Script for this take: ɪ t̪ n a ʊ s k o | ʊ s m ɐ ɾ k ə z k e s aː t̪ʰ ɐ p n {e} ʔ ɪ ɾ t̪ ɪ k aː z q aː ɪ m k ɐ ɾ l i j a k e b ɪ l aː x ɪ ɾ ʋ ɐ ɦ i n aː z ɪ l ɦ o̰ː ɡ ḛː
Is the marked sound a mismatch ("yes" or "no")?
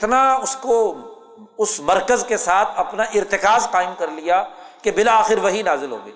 yes